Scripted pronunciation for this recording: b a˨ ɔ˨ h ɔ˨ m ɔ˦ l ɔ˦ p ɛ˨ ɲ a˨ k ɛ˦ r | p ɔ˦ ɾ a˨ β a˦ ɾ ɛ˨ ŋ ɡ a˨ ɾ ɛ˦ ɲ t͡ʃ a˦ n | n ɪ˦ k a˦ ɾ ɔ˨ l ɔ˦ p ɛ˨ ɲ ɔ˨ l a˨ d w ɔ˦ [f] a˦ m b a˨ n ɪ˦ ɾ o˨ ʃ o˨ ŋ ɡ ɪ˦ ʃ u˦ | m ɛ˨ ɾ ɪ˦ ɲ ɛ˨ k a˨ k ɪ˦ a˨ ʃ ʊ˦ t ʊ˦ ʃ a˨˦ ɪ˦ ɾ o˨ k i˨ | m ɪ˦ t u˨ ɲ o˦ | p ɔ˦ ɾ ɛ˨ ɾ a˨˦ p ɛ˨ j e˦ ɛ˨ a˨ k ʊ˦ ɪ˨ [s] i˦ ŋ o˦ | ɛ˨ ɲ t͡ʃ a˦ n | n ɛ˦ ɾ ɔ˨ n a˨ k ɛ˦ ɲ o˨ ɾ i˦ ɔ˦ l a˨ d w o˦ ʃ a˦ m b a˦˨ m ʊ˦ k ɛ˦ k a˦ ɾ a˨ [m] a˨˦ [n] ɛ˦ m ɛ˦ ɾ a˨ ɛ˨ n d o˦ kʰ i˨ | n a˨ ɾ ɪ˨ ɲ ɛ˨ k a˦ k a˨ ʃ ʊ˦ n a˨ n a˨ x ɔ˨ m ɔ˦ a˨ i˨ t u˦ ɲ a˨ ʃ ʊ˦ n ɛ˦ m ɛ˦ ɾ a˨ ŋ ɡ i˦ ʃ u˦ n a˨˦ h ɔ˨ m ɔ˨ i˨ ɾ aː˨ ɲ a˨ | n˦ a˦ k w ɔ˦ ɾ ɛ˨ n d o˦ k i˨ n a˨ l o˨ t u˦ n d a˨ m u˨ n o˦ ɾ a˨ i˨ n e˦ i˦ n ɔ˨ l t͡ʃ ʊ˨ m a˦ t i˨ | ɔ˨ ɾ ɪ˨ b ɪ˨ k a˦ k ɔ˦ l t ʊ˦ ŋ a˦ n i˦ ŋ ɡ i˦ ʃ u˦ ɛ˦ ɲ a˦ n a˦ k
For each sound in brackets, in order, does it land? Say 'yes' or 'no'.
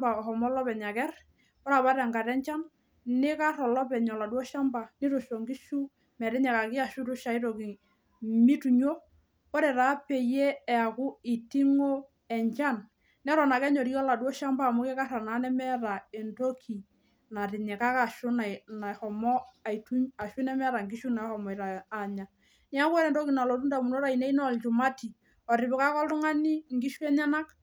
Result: no, no, no, yes

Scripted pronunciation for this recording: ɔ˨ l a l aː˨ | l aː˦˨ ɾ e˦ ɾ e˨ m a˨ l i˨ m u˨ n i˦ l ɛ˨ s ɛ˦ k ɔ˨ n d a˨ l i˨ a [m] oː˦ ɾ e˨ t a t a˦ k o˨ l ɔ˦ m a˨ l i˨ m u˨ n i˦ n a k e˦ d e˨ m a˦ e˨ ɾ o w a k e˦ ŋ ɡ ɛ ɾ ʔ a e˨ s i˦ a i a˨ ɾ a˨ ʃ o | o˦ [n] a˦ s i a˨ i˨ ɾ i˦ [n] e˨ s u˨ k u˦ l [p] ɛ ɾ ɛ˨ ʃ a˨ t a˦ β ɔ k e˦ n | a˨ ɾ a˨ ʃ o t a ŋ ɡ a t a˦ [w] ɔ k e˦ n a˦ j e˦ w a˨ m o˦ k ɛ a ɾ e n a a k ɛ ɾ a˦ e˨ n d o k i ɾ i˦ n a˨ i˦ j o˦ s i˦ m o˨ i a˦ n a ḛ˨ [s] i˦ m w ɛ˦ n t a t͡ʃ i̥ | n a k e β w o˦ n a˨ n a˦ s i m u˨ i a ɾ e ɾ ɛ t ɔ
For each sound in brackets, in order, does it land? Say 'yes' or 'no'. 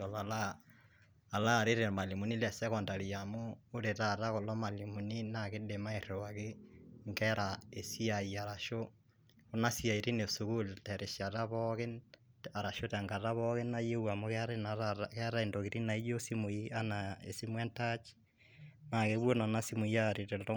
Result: yes, yes, yes, no, no, yes

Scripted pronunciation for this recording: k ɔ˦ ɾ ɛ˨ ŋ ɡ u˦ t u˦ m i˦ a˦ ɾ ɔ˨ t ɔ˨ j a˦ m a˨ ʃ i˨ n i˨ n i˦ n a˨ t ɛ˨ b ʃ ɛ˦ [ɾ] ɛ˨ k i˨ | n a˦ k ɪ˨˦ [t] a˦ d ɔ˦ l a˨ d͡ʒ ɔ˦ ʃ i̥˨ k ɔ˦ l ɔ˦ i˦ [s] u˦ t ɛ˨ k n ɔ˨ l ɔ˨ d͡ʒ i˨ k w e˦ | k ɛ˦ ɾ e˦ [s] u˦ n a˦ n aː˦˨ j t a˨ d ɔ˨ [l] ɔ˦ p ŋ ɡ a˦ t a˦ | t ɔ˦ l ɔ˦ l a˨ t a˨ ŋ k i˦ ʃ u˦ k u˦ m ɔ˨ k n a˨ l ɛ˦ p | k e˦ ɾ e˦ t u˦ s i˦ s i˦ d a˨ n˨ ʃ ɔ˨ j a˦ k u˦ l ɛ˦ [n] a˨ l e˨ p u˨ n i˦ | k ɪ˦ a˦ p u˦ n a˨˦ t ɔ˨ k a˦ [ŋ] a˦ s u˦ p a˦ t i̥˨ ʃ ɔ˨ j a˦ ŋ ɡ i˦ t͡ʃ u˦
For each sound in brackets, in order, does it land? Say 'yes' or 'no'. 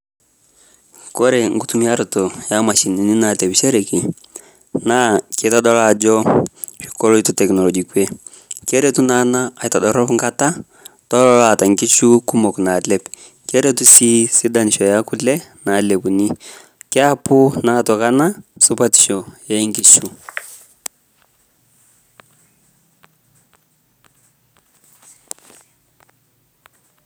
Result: yes, yes, no, no, no, yes, no

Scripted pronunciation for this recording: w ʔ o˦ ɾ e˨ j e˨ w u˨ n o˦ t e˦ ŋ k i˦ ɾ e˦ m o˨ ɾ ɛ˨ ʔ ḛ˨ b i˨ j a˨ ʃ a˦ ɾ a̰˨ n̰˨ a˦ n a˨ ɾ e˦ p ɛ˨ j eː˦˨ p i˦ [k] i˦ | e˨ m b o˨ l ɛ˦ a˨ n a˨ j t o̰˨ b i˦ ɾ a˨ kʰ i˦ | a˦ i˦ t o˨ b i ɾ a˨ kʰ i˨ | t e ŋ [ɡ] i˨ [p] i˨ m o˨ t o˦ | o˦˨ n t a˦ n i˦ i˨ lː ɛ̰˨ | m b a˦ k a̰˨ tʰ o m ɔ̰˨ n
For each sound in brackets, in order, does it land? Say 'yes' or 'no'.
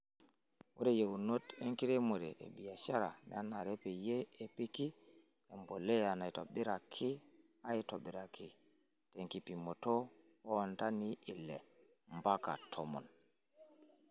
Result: yes, no, yes

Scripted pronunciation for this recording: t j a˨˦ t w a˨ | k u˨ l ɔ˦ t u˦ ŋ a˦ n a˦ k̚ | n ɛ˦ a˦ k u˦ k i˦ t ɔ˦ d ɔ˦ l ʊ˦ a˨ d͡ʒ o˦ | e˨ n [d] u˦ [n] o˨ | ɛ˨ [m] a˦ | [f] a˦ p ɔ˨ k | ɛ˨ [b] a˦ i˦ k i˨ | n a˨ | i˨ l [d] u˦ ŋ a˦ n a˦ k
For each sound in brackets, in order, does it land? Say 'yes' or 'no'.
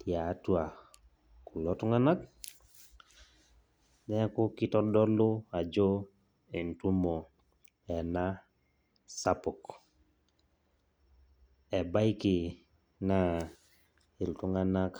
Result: no, no, no, no, yes, no

